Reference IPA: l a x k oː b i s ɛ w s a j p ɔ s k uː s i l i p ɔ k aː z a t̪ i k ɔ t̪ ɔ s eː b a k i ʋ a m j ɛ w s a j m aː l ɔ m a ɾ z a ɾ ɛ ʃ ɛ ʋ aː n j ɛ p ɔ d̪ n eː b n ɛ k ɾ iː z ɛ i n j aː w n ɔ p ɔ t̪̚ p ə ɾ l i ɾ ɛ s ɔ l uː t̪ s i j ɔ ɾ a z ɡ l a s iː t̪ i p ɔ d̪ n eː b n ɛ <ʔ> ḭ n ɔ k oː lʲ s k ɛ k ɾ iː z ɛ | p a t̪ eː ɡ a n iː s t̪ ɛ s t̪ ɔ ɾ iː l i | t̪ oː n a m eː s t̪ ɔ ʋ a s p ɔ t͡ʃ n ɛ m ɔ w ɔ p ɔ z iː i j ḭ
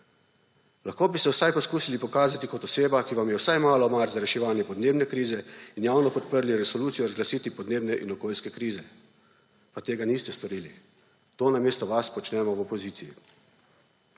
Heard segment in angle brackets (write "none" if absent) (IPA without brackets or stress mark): ʔ